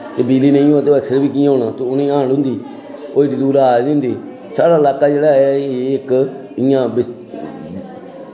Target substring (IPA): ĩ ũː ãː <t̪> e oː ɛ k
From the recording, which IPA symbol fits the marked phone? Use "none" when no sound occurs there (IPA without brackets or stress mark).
t̪